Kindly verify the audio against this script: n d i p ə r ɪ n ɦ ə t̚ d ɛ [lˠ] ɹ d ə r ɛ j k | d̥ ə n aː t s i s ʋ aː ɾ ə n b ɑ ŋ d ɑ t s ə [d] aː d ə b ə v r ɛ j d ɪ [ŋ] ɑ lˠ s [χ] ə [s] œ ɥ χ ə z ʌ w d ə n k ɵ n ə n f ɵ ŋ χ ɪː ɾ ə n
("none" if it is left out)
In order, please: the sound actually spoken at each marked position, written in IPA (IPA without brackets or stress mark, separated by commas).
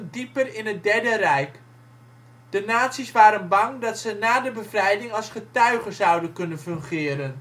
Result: none, n, ŋ, χ, t